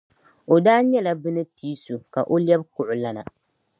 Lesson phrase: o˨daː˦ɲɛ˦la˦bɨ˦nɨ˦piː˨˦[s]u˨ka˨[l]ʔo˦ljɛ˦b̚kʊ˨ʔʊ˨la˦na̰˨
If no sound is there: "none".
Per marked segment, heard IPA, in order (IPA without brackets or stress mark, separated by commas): s, none